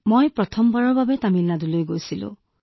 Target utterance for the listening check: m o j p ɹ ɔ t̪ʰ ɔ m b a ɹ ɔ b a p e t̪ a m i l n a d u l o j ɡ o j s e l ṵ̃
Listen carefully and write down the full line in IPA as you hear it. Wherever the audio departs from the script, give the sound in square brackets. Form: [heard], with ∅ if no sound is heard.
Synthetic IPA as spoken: m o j p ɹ ɔ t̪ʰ ɔ m b a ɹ ɔ b a [b] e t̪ a m i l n a d u l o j ɡ o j s [i] l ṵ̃